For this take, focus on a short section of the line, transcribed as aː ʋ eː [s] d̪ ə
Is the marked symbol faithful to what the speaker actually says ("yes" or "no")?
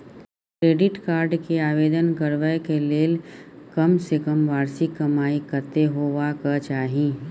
no